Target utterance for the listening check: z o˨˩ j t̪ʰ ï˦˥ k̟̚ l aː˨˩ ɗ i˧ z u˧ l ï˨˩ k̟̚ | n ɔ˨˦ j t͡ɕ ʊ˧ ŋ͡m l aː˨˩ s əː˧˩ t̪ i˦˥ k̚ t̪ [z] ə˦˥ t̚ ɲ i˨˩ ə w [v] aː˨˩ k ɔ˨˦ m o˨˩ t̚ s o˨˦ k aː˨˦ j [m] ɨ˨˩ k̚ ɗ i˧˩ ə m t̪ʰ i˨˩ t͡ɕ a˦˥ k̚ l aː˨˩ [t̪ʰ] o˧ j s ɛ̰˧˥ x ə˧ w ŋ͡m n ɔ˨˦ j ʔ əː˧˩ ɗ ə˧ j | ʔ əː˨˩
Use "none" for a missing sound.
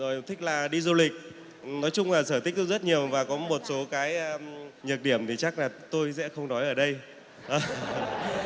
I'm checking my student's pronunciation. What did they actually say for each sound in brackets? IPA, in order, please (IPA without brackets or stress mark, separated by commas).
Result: z, v, ɲ, t̪